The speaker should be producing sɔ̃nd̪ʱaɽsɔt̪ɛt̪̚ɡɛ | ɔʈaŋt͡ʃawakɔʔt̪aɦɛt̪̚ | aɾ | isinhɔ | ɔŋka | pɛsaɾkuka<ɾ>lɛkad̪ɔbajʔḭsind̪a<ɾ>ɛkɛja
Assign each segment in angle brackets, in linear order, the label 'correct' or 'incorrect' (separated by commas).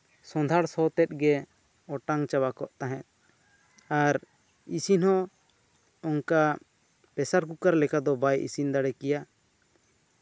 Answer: correct, incorrect